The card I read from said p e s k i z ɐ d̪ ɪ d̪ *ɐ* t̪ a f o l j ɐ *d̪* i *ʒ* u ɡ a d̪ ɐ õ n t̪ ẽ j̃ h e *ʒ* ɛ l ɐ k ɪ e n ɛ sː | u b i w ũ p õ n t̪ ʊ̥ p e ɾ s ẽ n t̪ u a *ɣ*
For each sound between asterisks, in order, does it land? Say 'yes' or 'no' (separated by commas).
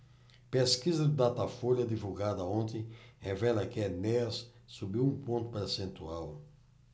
no, yes, no, no, no